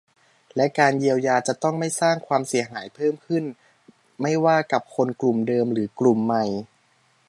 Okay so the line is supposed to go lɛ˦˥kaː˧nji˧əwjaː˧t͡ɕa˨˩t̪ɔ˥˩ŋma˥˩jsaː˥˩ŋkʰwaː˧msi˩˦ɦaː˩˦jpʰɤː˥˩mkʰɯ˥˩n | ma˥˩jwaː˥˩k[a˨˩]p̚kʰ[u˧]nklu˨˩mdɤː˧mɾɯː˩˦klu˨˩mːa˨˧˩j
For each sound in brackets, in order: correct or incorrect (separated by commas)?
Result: correct, incorrect